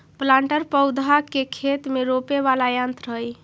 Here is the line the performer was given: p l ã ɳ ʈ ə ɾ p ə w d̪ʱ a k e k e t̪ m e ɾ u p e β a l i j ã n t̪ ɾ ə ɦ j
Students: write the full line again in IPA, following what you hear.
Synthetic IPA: p l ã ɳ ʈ ə ɾ p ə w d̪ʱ a k e kʰ e t̪ m e ɾ o p e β a l a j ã n t̪ ɾ ə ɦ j